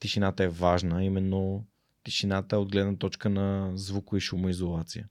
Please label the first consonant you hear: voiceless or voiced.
voiceless